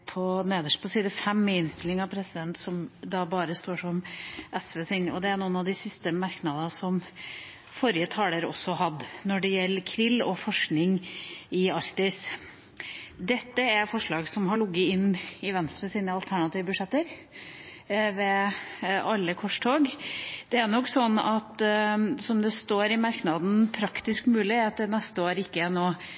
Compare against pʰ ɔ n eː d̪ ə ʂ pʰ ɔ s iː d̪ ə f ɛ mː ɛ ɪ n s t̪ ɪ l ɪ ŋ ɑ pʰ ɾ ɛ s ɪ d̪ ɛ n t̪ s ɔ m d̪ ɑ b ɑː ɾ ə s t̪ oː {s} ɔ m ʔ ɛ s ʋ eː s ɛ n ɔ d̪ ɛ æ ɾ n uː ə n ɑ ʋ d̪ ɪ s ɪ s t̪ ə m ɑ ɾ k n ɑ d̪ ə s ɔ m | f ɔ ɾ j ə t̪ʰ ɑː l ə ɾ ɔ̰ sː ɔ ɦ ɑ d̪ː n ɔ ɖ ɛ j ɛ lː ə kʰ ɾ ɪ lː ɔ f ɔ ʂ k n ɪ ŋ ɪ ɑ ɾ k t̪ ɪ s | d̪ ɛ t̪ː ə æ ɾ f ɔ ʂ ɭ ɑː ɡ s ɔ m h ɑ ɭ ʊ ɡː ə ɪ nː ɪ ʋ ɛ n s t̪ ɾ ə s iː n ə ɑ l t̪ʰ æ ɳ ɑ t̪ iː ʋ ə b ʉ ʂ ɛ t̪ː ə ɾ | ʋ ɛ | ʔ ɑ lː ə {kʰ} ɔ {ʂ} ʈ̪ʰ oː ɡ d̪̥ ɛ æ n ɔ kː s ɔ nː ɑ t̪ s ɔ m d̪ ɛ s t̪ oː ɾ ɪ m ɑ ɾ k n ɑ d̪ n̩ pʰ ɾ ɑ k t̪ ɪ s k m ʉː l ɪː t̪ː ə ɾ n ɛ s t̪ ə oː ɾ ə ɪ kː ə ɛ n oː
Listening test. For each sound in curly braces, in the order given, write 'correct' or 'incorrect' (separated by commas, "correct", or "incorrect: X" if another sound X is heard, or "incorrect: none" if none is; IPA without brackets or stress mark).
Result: incorrect: ʂ, correct, correct